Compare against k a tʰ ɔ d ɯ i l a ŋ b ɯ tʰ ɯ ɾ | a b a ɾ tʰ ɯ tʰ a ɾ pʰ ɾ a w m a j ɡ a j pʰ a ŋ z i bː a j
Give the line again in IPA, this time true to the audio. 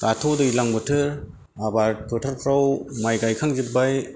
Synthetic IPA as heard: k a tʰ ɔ d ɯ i l a ŋ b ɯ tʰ ɯ ɾ | a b a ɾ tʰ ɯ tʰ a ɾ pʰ ɾ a w m a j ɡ a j kʰ a ŋ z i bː a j